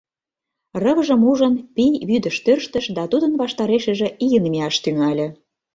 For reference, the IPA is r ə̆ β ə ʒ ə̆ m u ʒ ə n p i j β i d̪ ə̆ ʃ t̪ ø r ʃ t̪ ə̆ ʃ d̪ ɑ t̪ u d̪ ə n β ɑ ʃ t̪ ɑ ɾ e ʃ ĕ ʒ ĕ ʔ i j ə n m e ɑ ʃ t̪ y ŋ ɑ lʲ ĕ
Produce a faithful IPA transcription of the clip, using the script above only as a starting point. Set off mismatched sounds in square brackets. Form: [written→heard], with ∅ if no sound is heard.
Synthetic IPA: r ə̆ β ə ʒ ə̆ m u ʒ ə n p i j β [i→y] d̪ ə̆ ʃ t̪ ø r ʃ t̪ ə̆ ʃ d̪ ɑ t̪ u d̪ ə n β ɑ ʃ t̪ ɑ ɾ e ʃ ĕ ʒ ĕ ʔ i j ə n m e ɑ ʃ t̪ y ŋ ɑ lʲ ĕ